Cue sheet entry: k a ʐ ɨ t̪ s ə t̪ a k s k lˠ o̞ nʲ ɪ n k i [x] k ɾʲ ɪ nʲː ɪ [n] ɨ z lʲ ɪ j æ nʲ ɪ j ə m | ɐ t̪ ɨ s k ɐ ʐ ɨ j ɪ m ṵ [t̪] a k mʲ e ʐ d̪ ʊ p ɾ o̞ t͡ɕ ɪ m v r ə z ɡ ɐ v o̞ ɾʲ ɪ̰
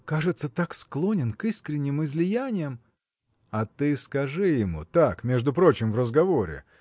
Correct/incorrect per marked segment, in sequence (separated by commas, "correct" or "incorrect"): incorrect, incorrect, correct